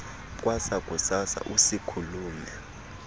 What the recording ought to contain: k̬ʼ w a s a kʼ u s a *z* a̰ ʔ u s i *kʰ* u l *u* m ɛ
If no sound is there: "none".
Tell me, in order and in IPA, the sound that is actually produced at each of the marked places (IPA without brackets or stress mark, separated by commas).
s, kʰ, uː